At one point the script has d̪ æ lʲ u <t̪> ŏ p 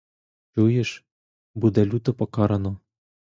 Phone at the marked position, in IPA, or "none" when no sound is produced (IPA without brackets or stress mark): t̪